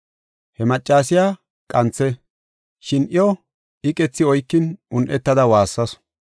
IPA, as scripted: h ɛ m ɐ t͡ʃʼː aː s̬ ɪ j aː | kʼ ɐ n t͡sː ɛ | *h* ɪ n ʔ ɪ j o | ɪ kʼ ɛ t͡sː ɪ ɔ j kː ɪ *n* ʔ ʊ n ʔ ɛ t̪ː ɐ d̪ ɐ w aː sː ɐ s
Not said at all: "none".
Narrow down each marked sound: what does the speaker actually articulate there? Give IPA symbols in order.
ʃ, n

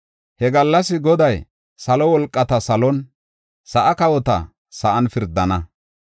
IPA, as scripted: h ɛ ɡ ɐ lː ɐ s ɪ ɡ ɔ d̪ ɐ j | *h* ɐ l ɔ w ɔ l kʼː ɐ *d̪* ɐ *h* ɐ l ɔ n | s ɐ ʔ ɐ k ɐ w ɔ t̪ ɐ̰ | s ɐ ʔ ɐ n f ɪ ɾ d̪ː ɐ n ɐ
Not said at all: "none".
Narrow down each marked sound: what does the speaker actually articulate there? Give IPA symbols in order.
s, t̪, s

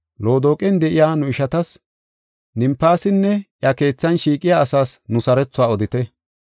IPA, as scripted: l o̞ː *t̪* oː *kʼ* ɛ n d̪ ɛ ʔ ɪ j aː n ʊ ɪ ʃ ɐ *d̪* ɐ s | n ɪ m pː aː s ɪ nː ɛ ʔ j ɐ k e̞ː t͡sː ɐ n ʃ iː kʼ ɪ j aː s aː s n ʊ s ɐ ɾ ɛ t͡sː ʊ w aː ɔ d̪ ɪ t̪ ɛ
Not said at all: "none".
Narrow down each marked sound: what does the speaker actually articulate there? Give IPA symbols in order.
d̪, kʼ, t̪

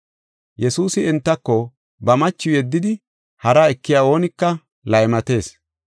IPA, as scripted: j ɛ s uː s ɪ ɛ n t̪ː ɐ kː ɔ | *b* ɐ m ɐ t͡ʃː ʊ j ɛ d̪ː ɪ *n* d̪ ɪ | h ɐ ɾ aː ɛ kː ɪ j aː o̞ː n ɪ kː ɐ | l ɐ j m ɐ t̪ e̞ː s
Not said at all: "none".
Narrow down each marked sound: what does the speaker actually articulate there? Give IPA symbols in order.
b, none

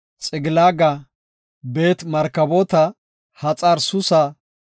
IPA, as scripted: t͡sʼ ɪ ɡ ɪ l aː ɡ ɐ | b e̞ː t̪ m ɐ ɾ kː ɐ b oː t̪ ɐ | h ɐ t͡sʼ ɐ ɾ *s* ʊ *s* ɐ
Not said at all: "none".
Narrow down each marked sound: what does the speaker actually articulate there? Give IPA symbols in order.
s, s

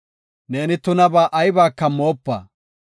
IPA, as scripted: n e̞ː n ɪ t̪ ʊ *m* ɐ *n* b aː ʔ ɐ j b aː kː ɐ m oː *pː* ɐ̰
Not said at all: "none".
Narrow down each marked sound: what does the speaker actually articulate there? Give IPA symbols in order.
n, none, pː

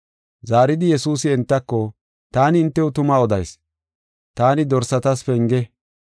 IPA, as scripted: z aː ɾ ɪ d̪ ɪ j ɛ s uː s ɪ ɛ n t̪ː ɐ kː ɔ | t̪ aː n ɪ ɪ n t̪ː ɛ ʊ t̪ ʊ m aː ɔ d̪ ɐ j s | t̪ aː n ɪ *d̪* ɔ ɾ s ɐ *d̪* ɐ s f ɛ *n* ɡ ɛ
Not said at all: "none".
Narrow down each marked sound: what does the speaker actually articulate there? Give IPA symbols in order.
d̪, t̪, ŋ

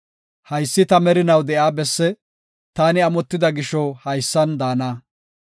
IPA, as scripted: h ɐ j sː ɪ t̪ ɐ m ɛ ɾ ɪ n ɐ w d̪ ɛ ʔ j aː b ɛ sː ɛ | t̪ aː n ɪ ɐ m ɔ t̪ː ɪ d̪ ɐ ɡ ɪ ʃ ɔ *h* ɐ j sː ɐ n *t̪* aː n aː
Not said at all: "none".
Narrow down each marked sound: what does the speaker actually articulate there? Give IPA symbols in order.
h, d̪

